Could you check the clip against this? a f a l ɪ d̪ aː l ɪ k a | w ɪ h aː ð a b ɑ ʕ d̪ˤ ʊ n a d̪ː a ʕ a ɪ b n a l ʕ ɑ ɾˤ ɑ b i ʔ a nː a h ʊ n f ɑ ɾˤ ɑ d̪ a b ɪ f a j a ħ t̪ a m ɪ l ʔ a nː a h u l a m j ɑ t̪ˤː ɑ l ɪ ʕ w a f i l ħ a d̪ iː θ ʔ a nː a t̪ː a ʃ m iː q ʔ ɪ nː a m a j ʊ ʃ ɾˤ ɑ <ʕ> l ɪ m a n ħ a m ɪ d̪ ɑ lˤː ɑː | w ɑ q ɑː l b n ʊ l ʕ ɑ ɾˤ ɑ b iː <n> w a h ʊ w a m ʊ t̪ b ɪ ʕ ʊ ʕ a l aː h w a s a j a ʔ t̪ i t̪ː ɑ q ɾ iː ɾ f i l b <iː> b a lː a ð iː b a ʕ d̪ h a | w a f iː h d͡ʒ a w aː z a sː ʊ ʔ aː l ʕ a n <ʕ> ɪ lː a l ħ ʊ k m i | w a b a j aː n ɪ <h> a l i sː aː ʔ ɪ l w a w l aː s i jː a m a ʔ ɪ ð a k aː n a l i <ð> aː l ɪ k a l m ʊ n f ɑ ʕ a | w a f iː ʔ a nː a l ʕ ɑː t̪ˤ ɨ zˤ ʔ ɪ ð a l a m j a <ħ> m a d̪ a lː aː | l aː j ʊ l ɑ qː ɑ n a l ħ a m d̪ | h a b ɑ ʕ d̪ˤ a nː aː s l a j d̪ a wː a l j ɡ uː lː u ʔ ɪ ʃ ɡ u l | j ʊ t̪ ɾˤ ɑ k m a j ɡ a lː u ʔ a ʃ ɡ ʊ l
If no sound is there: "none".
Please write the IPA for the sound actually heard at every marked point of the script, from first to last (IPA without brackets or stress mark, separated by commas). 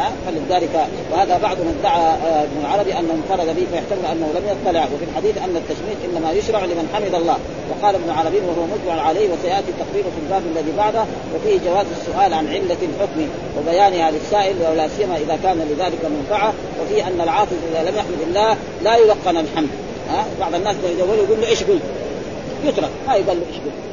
ʕ, n, aː, ʕ, h, ð, ħ